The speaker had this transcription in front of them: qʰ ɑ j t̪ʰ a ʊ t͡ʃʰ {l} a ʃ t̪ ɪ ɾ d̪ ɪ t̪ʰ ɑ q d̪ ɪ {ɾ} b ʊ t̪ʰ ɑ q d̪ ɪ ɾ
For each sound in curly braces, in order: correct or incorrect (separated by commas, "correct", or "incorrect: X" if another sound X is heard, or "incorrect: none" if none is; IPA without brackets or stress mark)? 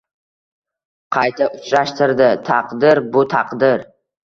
incorrect: ɾ, correct